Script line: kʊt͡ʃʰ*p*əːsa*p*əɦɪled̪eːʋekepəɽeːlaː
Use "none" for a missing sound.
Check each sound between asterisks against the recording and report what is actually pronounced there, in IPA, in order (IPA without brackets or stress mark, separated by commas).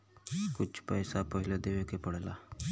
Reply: p, p